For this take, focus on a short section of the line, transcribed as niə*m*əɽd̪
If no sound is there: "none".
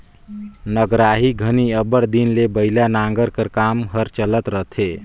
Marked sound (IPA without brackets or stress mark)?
b